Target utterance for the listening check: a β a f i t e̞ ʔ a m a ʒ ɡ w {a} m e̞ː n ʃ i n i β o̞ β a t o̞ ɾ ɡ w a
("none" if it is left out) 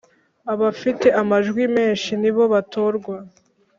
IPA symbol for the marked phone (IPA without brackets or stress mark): i